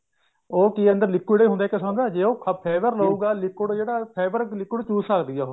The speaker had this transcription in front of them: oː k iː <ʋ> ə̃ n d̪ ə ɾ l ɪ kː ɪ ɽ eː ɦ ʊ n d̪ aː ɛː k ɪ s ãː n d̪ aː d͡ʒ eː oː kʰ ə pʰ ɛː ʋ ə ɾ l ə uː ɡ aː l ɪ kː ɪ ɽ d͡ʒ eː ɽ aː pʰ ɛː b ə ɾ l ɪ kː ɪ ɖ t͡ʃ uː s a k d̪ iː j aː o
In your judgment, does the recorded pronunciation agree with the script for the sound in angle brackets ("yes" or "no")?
no